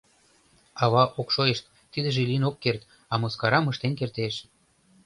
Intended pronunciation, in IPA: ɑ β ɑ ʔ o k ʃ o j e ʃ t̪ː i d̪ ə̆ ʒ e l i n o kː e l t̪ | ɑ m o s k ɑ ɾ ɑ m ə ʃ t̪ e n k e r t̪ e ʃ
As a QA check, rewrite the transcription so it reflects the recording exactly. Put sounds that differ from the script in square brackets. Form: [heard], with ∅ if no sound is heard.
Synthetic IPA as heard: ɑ β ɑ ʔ o k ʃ o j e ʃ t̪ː i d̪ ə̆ ʒ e l i n o kː e [r] t̪ | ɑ m o s k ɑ ɾ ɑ m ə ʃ t̪ e n k e r t̪ e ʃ